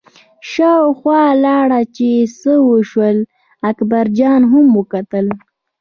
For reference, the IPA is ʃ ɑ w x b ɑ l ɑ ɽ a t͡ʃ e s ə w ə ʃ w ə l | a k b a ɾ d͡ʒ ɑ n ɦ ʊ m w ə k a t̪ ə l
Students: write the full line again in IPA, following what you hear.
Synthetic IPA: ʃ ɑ w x w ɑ l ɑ ɽ a t͡ʃ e s ə w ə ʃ w ə l | a k b a ɾ d͡ʒ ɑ n ɦ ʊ m w ə k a t̪ ə l